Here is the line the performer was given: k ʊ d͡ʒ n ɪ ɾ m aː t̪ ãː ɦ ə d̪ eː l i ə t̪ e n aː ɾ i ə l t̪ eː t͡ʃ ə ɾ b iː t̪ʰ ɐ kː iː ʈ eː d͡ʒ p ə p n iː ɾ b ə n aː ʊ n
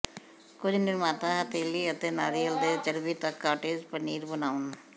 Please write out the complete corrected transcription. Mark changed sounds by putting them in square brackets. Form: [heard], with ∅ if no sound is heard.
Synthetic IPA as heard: k ʊ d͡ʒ n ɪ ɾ m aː t̪ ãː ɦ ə [t̪] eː l i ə t̪ e n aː ɾ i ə l [d̪] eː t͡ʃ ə ɾ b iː [t̪] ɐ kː [aː] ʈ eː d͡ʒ p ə [∅] n iː ɾ b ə n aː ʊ n